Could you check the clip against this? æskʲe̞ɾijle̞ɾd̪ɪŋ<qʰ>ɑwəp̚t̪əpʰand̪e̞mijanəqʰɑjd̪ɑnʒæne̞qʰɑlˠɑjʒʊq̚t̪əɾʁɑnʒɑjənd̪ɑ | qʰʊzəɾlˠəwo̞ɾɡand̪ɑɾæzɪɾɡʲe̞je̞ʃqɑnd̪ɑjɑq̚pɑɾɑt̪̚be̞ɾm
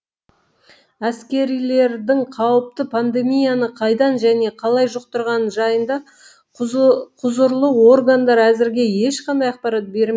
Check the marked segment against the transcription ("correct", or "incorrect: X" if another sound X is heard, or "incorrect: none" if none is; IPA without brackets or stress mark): correct